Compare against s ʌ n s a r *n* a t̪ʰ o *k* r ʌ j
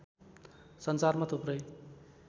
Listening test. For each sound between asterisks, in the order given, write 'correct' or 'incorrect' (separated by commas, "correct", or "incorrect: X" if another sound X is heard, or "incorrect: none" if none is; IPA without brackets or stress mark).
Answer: incorrect: m, incorrect: p